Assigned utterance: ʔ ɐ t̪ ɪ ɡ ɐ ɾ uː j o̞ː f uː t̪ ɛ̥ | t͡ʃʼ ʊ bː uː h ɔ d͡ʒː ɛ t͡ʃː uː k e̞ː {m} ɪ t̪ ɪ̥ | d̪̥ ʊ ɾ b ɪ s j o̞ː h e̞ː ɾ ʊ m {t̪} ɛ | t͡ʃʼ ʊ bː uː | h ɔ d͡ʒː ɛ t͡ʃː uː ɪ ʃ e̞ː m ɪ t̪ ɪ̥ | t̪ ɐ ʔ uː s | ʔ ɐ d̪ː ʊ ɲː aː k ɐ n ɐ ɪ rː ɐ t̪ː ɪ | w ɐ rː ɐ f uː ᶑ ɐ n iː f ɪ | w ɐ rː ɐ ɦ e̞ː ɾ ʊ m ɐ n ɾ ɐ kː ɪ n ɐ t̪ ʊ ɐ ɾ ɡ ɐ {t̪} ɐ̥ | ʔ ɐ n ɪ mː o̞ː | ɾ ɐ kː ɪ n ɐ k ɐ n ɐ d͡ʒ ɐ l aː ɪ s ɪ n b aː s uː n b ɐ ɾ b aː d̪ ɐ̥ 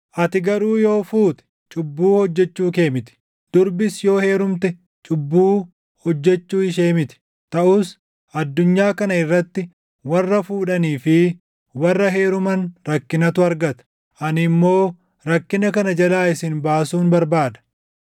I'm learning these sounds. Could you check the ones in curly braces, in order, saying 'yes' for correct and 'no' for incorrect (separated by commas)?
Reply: yes, yes, yes